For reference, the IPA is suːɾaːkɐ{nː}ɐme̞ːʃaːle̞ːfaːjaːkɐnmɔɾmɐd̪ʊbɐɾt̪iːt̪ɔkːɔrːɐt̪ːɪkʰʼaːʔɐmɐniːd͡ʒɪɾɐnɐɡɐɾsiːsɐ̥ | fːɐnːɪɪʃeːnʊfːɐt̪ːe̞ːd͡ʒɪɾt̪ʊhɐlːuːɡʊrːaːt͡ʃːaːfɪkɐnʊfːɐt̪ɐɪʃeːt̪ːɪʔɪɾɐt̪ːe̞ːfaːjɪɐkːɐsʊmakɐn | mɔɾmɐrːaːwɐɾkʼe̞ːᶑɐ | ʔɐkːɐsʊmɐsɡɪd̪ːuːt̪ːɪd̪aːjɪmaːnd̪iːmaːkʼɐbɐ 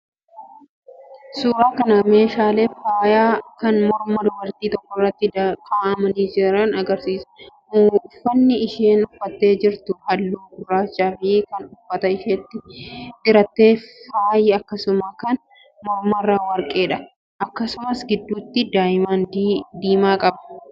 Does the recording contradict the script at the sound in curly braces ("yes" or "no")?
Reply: yes